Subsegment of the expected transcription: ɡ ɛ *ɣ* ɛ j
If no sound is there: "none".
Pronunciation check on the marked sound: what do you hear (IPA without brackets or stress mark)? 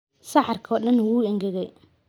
ɣ